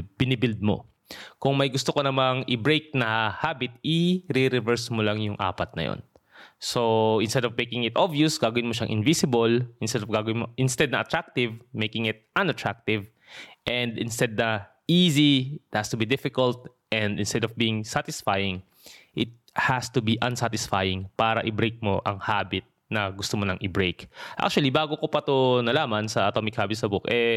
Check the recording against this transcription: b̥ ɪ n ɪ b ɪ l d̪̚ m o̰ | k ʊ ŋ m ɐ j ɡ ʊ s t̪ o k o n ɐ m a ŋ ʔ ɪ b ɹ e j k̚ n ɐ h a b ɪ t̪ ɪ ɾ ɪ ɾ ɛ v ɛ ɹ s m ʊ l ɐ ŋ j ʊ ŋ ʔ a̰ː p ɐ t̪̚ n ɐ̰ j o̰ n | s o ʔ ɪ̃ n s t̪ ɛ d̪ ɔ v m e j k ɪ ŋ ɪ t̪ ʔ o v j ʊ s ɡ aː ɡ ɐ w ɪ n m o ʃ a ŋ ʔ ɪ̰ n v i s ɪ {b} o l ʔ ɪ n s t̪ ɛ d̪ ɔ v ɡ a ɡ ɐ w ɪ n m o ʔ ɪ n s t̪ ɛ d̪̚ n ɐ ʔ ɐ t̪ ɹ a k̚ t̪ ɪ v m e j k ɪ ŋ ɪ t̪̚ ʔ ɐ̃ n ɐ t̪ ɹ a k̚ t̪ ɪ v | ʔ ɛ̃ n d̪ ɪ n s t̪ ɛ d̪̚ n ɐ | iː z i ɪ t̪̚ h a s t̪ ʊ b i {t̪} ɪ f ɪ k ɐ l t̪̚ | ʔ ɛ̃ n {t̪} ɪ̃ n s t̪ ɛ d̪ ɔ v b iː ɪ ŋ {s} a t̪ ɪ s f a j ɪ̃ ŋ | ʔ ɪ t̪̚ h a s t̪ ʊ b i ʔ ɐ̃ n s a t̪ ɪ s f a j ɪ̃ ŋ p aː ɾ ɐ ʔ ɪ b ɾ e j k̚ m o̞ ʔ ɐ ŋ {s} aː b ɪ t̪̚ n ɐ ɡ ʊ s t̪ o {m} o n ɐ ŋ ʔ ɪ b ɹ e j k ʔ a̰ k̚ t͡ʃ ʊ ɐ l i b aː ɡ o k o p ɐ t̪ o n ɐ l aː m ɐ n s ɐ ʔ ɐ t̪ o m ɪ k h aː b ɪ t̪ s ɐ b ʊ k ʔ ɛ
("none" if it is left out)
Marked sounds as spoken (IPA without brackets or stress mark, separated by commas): b, d̪, d̪, s, h, m